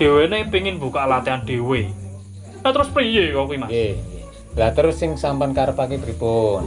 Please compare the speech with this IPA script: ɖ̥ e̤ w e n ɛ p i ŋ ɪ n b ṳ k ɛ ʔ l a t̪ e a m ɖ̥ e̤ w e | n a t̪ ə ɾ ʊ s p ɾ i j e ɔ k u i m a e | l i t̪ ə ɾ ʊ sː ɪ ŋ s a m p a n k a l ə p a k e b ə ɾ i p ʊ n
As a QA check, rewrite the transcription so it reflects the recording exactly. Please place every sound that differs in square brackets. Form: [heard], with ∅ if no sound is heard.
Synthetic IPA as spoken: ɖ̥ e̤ w e n [e] p i ŋ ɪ n b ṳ k [a] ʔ l a t̪ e a [n] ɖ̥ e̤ w e | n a t̪ ə ɾ ʊ s p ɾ i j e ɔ k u i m a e | l [a] t̪ ə ɾ ʊ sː ɪ ŋ s a m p a n k a [ɾ] ə p a k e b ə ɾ i p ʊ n